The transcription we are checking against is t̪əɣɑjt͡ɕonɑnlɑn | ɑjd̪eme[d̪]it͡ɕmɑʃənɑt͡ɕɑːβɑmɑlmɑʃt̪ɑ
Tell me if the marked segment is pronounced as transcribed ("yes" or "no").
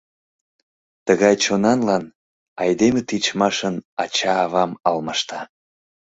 no